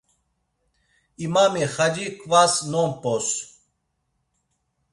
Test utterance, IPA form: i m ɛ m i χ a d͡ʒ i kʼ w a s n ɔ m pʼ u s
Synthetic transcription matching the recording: i m a m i χ a d͡ʒ i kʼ v a s n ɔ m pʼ ɔ s